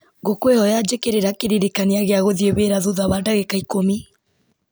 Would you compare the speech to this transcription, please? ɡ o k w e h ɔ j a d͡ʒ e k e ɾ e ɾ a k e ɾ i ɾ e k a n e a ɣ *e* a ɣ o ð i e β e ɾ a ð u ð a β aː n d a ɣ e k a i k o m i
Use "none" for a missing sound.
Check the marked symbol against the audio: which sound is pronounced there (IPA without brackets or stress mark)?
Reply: e